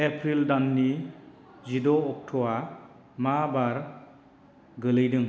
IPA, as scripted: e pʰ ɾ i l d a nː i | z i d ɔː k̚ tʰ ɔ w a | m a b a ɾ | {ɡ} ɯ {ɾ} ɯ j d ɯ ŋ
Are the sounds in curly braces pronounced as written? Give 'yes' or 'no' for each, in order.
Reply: yes, no

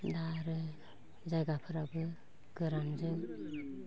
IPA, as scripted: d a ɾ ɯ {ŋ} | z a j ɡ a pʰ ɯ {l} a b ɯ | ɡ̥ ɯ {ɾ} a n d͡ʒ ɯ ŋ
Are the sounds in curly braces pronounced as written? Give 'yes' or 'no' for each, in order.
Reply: no, no, yes

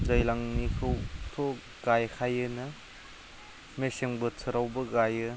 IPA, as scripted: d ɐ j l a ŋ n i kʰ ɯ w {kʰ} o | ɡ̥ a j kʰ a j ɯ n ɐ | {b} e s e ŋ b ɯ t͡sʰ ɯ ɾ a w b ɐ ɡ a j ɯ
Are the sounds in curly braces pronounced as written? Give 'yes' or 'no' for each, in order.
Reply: no, no

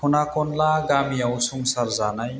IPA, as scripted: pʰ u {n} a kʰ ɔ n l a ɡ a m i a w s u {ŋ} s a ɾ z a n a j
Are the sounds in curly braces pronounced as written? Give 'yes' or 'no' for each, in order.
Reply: yes, yes

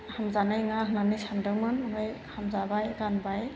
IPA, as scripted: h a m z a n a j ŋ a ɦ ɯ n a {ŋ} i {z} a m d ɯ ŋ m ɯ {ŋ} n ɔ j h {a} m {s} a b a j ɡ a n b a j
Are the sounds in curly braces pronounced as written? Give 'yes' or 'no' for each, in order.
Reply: no, no, no, yes, no

